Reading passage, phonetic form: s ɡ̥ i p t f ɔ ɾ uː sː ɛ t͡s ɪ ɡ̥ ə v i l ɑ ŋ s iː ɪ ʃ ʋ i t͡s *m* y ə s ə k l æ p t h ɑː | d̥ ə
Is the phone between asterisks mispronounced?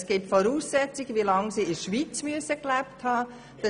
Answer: no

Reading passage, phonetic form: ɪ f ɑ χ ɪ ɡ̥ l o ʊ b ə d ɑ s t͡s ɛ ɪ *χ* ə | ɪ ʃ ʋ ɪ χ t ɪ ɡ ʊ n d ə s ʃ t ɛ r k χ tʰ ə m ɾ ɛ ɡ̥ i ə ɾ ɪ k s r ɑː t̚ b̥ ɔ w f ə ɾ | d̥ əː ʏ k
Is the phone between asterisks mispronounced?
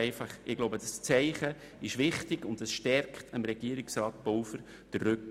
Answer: no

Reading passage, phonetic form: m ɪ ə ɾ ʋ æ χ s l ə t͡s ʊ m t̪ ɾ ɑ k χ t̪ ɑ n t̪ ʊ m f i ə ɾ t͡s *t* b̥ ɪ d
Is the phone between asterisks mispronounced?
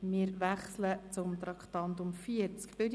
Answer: yes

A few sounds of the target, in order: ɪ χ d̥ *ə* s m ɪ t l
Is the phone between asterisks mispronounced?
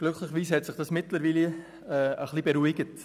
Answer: yes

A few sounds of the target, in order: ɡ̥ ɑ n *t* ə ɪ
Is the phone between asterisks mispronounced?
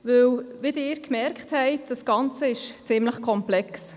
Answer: yes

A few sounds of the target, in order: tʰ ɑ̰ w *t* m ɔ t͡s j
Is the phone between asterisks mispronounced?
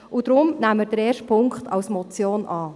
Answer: yes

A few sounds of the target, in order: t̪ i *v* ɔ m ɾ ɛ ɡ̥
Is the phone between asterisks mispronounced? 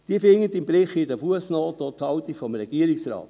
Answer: yes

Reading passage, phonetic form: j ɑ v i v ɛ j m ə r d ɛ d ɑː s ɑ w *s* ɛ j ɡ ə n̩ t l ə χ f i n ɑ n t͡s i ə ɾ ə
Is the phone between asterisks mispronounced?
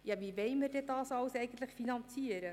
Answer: no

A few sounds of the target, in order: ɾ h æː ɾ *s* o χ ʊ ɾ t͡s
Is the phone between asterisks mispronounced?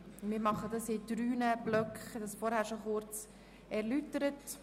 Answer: yes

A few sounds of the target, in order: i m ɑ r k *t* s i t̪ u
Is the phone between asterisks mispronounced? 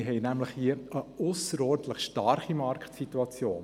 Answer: no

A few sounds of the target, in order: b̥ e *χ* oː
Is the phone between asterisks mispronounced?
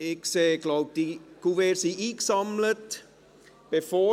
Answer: yes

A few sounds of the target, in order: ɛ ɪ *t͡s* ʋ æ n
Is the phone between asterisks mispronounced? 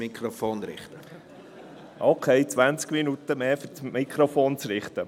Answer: no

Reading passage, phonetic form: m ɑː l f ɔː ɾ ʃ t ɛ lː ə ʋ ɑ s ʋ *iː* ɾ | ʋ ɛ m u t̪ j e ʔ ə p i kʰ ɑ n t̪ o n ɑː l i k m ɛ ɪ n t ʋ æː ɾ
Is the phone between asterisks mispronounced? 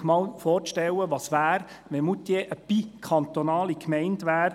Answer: yes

